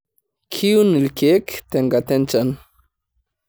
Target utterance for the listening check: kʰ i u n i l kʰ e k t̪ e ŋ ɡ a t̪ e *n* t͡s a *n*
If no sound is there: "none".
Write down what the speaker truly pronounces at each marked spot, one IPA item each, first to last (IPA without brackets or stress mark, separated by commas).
n, n